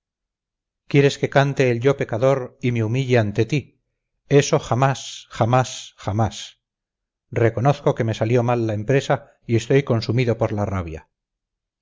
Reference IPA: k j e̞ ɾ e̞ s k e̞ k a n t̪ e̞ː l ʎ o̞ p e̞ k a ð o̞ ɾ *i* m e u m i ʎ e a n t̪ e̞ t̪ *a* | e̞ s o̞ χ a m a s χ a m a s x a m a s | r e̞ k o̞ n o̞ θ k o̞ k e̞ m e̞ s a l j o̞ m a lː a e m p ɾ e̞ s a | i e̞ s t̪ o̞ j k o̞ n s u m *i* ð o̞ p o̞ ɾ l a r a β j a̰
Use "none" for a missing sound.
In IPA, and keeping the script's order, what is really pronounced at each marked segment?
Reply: i, i, i

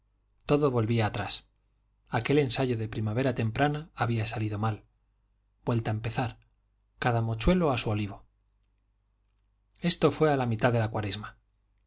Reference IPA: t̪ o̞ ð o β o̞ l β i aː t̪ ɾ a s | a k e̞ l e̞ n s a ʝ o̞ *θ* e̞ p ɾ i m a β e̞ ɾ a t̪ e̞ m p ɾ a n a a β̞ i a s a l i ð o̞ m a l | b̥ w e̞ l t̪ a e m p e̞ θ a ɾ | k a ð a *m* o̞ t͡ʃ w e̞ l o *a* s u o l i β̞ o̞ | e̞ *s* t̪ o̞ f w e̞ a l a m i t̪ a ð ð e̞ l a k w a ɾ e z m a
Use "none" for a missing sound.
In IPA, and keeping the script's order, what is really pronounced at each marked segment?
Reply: ð, m, a, s

